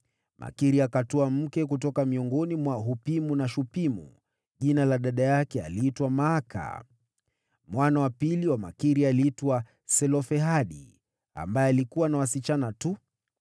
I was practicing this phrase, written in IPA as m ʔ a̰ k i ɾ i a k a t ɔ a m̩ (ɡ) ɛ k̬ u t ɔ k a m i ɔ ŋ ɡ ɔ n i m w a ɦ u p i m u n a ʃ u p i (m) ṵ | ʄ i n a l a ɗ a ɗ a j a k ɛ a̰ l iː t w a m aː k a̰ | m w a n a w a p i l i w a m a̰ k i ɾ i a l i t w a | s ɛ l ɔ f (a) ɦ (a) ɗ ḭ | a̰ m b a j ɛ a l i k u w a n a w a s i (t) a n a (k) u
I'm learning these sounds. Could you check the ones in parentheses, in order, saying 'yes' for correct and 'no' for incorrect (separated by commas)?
no, yes, no, yes, no, no